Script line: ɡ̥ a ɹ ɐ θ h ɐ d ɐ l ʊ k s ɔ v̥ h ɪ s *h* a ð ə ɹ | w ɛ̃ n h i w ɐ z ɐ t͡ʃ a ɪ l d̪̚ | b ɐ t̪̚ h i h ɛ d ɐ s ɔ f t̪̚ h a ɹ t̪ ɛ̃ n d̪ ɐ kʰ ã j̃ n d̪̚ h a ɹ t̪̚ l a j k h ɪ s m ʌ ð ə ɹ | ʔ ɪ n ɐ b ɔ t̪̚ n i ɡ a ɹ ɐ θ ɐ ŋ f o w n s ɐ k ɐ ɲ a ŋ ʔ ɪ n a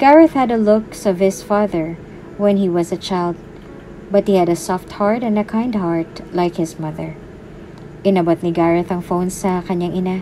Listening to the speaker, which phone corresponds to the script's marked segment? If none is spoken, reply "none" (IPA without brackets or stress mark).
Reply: f